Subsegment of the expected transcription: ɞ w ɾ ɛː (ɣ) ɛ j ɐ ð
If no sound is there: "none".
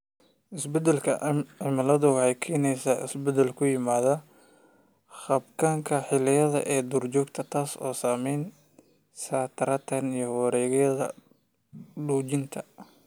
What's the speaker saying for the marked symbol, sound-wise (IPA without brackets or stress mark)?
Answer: ɣ